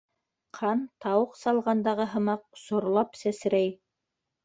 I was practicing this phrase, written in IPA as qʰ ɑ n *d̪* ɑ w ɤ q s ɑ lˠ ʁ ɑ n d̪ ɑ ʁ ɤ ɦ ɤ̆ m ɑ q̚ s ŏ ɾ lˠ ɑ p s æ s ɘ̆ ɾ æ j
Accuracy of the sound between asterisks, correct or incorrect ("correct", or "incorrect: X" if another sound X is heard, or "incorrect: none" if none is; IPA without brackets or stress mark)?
incorrect: t̪